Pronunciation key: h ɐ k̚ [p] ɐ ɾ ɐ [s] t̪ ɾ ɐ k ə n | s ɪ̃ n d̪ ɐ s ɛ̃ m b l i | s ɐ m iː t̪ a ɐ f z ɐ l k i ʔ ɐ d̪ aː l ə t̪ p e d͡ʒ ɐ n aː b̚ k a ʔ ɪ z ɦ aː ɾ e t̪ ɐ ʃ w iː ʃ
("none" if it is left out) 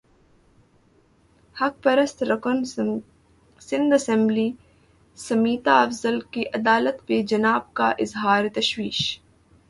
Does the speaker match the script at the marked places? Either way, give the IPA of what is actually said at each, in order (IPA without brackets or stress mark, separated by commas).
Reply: p, s